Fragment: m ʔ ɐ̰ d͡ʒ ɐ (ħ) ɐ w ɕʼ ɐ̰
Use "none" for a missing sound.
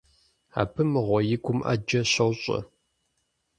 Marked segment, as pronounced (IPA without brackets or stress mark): ɕ